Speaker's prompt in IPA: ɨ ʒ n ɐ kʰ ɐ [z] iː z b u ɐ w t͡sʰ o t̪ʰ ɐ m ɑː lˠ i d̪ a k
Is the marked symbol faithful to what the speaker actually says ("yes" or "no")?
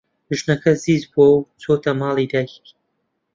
yes